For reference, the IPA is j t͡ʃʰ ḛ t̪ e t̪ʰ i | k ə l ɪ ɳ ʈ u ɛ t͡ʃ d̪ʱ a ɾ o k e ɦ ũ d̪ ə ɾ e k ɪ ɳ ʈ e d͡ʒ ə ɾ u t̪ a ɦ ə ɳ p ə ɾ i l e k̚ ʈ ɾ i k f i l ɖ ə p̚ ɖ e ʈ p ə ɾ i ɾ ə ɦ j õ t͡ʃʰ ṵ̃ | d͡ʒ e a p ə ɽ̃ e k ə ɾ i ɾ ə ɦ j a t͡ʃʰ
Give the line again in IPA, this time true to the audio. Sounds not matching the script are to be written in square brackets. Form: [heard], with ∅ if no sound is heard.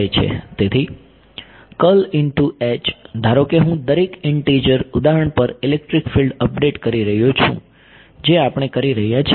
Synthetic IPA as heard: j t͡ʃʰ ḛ t̪ e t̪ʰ i | k ə l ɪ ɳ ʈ u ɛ t͡ʃ d̪ʱ a ɾ o k e ɦ ũ d̪ ə ɾ e k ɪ ɳ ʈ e d͡ʒ ə ɾ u [d̪] a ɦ ə ɳ p ə ɾ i l e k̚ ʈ ɾ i k f i l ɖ ə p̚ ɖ e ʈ [k] ə ɾ i ɾ ə ɦ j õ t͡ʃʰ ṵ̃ | d͡ʒ e a p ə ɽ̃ e k ə ɾ i ɾ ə ɦ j a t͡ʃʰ